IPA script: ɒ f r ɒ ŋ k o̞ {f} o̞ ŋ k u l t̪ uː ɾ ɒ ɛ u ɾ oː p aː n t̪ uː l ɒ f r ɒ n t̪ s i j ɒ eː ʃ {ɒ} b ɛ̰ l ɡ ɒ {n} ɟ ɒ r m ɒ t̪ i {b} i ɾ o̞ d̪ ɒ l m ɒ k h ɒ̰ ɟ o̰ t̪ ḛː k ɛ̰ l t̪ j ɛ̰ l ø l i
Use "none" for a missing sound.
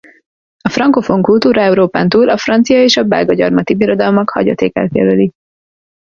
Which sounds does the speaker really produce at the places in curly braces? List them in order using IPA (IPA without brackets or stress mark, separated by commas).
f, ɒ, none, b